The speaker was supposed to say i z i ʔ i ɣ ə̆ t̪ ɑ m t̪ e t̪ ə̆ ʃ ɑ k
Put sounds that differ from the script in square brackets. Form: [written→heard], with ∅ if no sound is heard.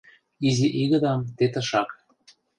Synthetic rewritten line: i z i ʔ i ɣ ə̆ [t̪→d̪] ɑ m t̪ e t̪ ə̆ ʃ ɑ k